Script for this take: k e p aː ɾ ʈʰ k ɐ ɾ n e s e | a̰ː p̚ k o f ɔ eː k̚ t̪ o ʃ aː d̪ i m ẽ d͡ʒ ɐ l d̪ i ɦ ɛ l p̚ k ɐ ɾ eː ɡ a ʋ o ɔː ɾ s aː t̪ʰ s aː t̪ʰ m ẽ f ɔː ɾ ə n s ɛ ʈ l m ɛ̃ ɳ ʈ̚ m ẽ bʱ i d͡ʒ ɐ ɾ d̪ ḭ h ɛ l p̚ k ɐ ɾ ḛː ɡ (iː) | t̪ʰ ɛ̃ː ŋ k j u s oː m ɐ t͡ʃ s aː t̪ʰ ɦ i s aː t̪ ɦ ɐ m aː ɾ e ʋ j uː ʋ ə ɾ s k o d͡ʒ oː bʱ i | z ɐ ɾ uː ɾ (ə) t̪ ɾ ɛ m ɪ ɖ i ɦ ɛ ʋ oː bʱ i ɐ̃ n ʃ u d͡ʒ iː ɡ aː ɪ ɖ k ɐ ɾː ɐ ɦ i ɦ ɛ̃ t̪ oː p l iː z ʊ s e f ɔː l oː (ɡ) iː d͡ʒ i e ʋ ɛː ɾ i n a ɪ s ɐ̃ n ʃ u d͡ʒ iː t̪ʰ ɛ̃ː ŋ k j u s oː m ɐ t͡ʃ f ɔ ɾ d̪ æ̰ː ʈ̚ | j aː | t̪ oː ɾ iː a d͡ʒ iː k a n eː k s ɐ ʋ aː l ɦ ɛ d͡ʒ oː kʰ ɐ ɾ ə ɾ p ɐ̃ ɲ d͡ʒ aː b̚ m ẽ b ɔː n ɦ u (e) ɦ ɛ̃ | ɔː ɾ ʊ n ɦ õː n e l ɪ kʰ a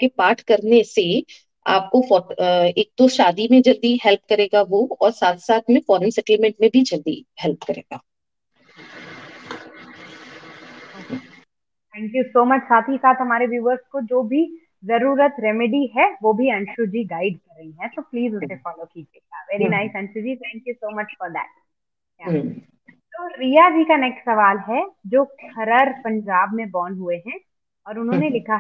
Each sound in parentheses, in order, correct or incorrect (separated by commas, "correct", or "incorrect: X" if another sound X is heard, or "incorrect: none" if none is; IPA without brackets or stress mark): incorrect: aː, correct, incorrect: k, correct